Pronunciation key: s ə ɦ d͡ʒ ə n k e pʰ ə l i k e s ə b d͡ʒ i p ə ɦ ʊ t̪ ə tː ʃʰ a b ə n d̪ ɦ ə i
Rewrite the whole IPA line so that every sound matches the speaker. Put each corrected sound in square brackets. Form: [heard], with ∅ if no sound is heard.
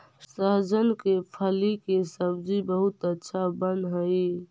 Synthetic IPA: s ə ɦ d͡ʒ ə n k e pʰ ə l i k e s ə b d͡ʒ i [b] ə ɦ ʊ t̪ ə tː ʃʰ a b ə n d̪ ɦ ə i